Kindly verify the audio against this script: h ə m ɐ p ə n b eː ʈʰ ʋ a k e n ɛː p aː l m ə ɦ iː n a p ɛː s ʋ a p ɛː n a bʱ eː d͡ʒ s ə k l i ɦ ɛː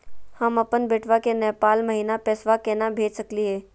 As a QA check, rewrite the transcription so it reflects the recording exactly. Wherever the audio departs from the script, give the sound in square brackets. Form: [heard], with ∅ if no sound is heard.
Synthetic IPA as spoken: h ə m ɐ p ə n b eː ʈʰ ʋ a k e n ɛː p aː l m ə ɦ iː n a p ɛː s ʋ a [k] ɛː n a bʱ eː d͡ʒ s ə k l i ɦ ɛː